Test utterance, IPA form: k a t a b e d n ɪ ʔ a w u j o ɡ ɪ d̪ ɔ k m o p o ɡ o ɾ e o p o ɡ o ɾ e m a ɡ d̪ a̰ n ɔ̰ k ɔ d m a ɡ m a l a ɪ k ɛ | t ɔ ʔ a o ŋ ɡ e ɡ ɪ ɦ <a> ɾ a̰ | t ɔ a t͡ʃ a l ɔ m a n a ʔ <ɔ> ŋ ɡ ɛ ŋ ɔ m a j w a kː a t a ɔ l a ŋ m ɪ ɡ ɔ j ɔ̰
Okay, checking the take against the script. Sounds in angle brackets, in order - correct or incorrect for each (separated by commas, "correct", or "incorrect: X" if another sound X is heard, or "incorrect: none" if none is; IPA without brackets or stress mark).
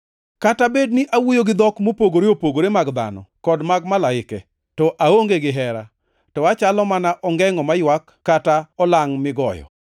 incorrect: ɛ, correct